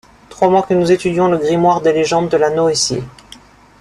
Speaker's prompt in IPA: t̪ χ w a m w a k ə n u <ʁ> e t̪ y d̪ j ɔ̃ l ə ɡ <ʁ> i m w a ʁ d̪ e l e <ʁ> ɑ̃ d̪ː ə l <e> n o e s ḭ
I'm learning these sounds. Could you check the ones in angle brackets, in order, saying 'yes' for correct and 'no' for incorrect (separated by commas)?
no, yes, no, no